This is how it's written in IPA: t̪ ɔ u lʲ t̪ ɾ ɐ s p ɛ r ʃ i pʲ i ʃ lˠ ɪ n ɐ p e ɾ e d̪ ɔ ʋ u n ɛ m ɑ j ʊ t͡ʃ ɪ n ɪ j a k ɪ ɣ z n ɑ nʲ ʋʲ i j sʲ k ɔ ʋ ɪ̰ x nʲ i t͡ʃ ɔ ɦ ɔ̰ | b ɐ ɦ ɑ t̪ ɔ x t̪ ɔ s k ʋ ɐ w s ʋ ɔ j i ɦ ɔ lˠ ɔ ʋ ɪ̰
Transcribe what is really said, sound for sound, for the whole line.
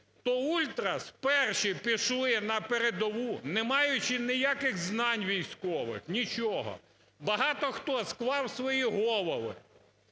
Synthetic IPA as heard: t̪ ɔ u lʲ t̪ ɾ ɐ s p ɛ r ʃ i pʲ i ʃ lˠ ɪ n ɐ p e ɾ e d̪ ɔ ʋ u n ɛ m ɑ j ʊ t͡ʃ ɪ n ɪ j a k ɪ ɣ z n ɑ nʲ ʋʲ i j sʲ k ɔ ʋ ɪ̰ x nʲ i t͡ʃ ɔ ɦ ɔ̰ | b ɐ ɦ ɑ t̪ ɔ x t̪ ɔ s k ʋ ɑ w s ʋ ɔ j i ɦ ɔ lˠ ɔ ʋ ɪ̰